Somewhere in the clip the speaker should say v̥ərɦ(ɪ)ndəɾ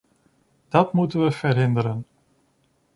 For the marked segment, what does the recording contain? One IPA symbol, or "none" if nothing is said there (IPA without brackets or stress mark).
ɪ